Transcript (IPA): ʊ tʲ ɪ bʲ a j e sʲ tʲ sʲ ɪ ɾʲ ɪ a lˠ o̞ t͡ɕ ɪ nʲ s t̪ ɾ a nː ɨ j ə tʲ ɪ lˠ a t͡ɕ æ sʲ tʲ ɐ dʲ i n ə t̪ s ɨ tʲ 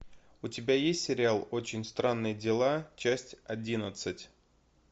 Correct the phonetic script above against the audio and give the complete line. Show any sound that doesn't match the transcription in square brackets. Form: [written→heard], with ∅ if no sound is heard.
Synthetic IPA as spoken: ʊ tʲ ɪ bʲ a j e sʲ tʲ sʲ ɪ ɾʲ ɪ a lˠ o̞ t͡ɕ ɪ nʲ s t̪ ɾ a nː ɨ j ə [tʲ→dʲ] ɪ lˠ a t͡ɕ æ sʲ tʲ ɐ dʲ i n ə t̪ s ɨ tʲ